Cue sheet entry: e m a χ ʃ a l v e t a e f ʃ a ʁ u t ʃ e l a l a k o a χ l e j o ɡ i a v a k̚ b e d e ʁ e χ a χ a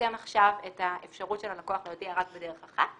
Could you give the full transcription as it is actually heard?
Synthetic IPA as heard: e m a χ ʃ a v e t a e f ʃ a ʁ u t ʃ e l a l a k o a χ l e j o d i a ʁ a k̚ b e d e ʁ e χ a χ a